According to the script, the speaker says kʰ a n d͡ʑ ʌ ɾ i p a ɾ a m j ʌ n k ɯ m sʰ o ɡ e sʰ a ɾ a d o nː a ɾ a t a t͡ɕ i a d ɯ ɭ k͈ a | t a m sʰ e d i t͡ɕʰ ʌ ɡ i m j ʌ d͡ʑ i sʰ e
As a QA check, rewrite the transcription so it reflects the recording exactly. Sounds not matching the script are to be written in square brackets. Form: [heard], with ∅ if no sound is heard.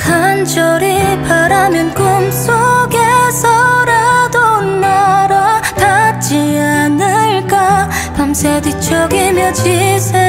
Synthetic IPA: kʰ a n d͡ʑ ʌ ɾ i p a ɾ a m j ʌ n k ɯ m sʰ o ɡ e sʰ [ʌ] ɾ a d o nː a ɾ a t a t͡ɕ i a [n] ɯ ɭ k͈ a | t a m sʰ e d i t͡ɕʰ ʌ ɡ i m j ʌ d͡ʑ i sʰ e